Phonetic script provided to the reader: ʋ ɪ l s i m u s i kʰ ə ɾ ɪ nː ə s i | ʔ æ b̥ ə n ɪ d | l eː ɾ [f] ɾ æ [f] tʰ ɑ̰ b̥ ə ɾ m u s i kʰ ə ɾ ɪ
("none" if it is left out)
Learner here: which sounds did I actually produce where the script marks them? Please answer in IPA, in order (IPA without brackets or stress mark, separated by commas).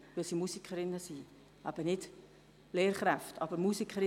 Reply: χ, f